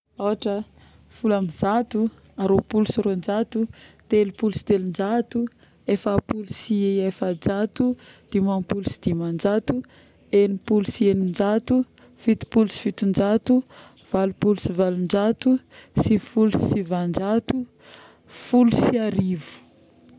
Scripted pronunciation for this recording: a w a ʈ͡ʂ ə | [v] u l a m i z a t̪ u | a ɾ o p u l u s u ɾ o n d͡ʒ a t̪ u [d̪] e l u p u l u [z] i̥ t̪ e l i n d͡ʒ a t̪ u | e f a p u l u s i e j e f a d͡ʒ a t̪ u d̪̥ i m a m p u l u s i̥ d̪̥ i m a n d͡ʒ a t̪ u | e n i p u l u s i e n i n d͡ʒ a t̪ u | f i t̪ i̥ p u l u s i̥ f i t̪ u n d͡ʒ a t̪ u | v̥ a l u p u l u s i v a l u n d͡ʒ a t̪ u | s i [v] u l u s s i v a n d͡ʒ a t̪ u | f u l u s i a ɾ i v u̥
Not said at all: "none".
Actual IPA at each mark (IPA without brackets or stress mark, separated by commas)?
f, t̪, s, f